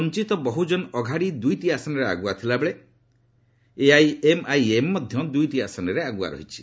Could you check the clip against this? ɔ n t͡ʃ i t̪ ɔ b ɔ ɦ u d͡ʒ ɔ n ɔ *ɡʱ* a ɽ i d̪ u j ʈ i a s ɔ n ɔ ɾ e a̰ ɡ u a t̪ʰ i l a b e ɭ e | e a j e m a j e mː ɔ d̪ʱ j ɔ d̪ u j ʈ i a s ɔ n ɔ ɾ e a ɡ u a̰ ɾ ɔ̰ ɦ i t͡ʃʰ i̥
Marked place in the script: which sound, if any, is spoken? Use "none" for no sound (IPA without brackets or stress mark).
ɡʱ